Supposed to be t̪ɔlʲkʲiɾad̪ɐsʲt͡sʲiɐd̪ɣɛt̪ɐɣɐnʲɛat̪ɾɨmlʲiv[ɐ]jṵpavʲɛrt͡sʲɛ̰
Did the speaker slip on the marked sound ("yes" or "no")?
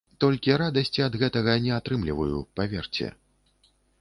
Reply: no